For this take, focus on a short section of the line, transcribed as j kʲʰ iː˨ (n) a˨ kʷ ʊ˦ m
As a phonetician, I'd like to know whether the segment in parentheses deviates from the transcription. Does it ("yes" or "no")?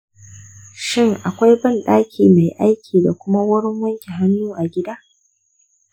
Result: yes